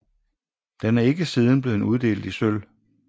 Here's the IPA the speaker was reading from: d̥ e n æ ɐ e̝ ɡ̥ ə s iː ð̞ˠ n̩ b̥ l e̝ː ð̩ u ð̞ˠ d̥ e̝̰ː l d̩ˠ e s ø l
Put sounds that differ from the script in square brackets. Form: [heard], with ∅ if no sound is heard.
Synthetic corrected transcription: d̥ e n æ ɐ e̝ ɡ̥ ə s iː ð̞ˠ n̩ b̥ l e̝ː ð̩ u ð̞ˠ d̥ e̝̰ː l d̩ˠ [i] s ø l